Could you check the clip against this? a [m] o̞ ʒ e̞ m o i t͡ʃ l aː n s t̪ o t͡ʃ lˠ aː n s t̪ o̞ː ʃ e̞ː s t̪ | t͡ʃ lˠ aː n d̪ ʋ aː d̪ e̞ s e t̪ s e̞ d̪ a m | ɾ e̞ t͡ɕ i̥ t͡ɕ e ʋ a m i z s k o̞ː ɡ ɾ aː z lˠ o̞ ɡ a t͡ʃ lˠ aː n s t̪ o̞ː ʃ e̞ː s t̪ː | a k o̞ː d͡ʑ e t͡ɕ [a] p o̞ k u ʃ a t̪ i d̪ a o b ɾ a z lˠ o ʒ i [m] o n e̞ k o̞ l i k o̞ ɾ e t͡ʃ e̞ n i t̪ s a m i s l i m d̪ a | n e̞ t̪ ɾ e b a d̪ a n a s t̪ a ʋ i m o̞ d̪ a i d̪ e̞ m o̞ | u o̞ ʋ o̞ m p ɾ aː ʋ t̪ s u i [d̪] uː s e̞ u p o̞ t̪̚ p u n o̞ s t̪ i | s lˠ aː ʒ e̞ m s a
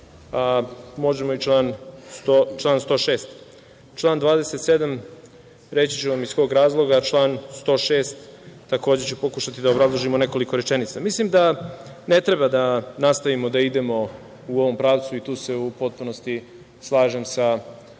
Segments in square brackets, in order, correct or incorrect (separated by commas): correct, incorrect, correct, incorrect